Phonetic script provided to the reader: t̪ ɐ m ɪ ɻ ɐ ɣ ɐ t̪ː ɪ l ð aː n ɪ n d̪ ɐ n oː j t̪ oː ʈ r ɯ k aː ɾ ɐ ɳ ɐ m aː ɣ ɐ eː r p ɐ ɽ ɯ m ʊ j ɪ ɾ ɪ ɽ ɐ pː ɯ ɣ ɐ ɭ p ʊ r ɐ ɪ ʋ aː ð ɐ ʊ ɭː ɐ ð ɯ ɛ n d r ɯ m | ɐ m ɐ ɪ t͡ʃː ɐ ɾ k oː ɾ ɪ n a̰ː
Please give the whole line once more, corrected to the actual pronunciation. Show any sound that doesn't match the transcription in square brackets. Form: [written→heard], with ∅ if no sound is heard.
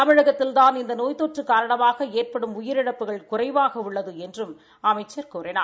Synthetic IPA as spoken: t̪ ɐ m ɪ ɻ ɐ ɣ ɐ t̪ː ɪ l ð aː n ɪ n d̪ ɐ n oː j t̪ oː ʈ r ɯ k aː ɾ ɐ ɳ ɐ m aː ɣ ɐ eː r p ɐ ɽ ɯ m ʊ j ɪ ɾ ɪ ɽ ɐ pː ɯ ɣ ɐ ɭ [p→k] ʊ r ɐ ɪ ʋ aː [ð→ɣ] ɐ ʊ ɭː ɐ ð ɯ ɛ n d r ɯ m | ɐ m ɐ ɪ t͡ʃː ɐ ɾ k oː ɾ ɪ n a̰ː